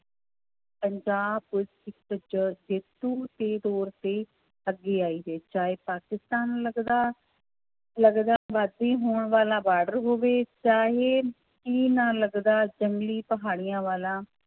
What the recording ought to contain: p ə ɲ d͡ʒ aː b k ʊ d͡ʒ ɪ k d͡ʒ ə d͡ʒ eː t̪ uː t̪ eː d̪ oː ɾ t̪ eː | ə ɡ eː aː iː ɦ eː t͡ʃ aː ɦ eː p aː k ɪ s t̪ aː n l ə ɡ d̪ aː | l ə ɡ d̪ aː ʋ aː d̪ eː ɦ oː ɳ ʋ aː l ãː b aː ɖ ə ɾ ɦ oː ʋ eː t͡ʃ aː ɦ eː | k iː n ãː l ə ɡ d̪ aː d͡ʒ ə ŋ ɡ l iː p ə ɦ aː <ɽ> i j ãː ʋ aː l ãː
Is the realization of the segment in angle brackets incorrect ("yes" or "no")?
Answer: no